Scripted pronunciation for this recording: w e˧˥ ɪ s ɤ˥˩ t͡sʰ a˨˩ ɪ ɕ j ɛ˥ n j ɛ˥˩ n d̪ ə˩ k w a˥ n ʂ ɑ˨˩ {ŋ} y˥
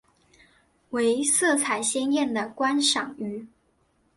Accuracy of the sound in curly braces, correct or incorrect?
correct